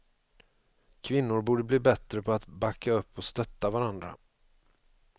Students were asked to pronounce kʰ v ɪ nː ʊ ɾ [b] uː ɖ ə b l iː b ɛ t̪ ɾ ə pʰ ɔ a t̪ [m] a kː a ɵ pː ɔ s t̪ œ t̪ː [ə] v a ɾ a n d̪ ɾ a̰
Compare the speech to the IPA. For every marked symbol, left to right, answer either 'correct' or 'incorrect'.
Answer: correct, incorrect: b, incorrect: a

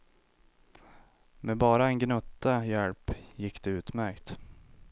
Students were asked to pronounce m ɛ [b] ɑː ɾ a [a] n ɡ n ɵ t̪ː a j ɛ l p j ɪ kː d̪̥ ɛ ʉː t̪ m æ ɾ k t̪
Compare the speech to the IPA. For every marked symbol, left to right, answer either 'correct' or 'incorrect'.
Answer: correct, incorrect: ɛ

